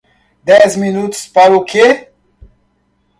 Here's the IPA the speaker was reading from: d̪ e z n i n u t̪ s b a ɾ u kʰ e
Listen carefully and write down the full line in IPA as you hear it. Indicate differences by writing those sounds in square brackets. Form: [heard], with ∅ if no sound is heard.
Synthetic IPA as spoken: d̪ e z [m] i n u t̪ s [p] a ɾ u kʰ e